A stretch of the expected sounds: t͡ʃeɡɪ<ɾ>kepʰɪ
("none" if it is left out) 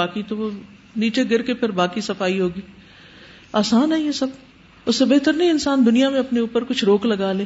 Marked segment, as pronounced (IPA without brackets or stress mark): ɾ